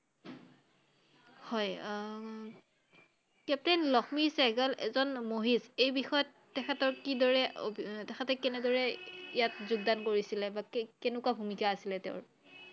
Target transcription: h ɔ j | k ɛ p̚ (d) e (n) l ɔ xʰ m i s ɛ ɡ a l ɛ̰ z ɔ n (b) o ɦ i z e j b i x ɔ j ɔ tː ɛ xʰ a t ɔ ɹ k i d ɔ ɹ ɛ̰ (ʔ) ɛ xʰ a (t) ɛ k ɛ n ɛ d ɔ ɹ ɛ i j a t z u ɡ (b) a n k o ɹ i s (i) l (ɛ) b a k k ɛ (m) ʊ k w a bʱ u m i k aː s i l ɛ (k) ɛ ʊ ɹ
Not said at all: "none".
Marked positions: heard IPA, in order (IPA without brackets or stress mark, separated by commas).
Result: t, n, m, t, t, d, i, ɛ, n, t